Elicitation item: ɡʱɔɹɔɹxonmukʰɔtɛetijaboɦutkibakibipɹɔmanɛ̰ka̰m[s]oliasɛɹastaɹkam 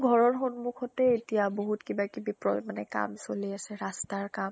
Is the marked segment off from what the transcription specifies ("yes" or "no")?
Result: no